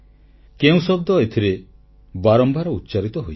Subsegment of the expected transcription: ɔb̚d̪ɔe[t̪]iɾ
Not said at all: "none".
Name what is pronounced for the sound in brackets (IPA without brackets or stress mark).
t̪ʰ